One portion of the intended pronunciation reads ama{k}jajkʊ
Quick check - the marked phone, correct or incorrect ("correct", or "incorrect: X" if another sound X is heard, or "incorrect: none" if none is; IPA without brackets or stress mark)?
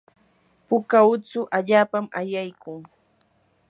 incorrect: none